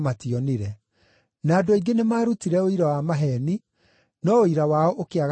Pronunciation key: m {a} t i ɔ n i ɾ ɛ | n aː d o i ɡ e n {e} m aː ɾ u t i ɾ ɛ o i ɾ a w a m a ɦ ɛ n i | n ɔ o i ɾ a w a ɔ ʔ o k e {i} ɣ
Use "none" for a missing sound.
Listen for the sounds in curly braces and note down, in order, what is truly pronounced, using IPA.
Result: a, e, a

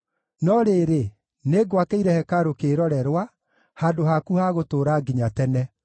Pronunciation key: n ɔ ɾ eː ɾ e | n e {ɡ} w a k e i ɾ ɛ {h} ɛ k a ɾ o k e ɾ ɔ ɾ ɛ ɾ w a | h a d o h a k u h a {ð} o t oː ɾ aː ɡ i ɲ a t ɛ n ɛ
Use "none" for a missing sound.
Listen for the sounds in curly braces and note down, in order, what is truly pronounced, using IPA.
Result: ɡ, h, ɣ

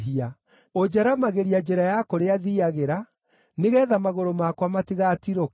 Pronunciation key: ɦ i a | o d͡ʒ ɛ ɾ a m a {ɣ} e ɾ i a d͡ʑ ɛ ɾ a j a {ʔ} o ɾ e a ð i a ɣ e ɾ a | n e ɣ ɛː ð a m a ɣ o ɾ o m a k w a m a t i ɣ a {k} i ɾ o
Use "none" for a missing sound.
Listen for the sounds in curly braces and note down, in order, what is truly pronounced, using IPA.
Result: ɣ, k, t

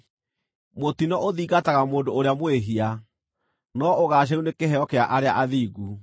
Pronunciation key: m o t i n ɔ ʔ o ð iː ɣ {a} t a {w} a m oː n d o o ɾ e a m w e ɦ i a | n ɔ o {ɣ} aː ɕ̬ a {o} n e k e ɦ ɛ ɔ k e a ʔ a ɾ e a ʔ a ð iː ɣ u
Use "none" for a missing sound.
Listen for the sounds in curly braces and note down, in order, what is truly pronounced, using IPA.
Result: a, ɣ, ɣ, u

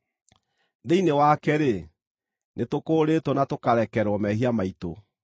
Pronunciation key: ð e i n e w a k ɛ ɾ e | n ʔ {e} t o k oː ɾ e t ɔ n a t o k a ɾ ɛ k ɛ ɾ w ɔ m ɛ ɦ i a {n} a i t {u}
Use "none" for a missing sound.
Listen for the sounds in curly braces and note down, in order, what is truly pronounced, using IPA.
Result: e, m, o

